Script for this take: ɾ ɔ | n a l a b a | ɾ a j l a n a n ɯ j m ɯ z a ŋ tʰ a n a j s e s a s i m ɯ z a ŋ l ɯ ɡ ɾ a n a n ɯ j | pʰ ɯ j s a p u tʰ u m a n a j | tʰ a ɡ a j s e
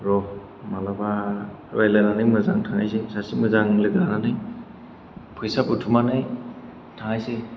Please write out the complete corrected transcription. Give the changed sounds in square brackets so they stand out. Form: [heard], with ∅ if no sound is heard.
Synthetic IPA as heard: ɾ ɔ | [m] a l a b a | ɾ a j l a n a n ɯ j m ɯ z a ŋ tʰ a [ŋ] a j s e s a s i m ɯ z a ŋ l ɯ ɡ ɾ a n a n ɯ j | pʰ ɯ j s a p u tʰ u m a n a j | tʰ a [ŋ] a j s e